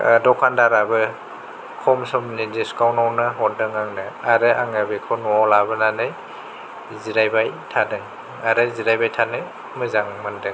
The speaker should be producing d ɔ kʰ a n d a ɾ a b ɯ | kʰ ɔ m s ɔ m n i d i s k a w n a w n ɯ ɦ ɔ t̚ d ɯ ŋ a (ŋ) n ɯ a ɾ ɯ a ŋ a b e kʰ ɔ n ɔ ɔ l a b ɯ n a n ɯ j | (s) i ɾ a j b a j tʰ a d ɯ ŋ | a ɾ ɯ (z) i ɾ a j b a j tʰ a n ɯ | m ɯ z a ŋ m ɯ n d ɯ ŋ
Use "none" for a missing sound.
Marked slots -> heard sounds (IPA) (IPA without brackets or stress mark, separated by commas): ŋ, z, z